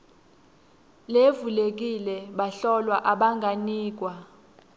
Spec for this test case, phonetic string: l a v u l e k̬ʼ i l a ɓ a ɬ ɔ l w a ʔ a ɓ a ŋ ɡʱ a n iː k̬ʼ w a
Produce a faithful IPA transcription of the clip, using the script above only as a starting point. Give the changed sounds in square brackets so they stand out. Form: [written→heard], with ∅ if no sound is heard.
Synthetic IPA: l [a→e] v u l e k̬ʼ i l [a→ɛ] ɓ a ɬ ɔ l w a ʔ a ɓ a ŋ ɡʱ a n iː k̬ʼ w a